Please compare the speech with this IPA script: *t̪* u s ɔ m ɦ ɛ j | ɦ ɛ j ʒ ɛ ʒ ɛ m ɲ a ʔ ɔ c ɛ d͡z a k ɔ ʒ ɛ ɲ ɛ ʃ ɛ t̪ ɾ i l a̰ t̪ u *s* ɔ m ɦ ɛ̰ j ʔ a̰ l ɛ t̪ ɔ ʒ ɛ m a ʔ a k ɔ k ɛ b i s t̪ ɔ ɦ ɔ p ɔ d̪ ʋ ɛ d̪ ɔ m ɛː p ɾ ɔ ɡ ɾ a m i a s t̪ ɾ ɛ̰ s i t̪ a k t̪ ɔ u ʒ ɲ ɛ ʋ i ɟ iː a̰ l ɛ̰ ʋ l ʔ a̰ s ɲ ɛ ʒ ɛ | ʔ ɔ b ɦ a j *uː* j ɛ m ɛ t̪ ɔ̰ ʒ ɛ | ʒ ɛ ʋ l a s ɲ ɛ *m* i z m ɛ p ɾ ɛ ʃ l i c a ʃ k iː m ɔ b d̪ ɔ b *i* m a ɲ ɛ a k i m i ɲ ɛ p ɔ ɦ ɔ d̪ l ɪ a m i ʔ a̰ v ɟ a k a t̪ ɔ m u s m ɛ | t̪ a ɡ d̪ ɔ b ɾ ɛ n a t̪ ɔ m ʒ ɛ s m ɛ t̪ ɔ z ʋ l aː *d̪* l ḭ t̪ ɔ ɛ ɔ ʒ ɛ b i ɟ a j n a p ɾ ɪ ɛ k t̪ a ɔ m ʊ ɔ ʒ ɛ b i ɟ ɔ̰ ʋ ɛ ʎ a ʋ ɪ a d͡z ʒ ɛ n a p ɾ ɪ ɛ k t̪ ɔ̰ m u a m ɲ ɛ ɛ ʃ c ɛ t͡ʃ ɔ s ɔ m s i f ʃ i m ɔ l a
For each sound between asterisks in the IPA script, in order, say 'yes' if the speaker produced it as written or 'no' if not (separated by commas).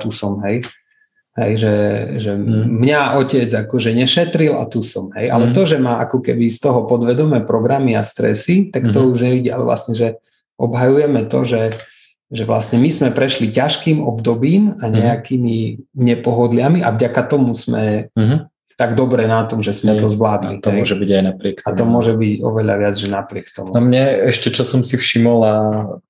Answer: yes, yes, no, yes, no, yes